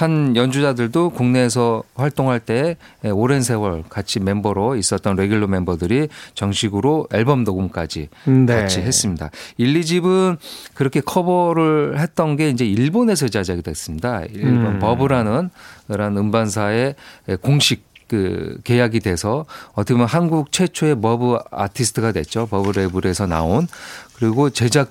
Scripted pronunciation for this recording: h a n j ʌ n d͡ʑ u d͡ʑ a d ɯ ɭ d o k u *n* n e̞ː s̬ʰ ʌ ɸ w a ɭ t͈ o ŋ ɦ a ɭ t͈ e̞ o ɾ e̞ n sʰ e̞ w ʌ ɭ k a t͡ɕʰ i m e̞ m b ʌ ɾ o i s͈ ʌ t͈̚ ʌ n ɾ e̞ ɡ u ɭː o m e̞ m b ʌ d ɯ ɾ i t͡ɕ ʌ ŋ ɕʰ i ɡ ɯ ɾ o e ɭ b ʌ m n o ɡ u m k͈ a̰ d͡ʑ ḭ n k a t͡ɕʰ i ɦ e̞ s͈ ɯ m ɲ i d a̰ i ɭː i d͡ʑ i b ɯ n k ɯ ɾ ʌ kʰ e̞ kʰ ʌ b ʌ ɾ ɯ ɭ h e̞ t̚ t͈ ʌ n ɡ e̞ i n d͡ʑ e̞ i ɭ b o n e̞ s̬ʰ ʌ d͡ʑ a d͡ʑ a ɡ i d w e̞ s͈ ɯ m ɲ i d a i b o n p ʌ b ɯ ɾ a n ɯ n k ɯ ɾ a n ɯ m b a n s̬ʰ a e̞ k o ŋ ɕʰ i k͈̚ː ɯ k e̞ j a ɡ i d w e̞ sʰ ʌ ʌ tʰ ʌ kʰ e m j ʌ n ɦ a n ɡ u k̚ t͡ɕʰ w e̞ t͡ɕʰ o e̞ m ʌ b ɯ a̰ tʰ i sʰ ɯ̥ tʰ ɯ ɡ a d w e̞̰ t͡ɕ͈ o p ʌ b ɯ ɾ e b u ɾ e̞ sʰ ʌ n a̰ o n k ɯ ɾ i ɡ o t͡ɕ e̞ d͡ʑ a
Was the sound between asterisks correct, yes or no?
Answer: no